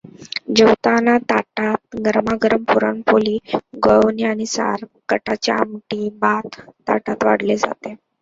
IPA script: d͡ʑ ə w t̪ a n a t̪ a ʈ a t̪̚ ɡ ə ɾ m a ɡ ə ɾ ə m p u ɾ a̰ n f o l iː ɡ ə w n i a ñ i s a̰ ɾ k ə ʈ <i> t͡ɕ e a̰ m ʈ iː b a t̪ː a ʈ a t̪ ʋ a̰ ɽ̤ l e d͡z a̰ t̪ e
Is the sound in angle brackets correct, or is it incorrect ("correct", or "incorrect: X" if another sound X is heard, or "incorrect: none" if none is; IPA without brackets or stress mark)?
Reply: incorrect: a